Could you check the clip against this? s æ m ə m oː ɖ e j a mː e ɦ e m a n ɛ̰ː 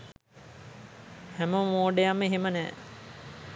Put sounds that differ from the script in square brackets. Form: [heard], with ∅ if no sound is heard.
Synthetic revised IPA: [h] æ m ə m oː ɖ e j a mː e ɦ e m [ə] n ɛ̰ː